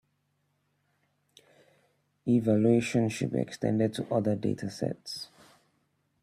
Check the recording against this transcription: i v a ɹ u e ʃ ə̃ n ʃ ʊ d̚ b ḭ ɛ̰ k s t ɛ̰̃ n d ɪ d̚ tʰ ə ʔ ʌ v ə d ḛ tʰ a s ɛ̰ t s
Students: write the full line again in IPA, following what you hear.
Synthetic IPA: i v a l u e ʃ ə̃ n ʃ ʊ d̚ b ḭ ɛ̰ k s t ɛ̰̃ n d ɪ d̚ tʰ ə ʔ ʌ ð ə d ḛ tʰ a s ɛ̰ t s